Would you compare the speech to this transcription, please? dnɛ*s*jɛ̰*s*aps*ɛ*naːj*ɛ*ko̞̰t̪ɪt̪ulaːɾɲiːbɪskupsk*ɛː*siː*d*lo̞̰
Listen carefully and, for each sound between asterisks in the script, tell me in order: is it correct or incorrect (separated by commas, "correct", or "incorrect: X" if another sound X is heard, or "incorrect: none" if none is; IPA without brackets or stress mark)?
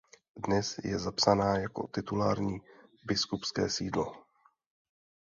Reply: correct, incorrect: z, incorrect: a, incorrect: a, correct, correct